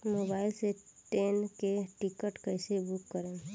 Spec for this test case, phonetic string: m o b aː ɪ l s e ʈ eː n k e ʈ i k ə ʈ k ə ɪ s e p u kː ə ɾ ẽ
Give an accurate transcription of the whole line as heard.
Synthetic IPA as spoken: m o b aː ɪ l s e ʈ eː n k e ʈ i k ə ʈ k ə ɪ s e b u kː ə ɾ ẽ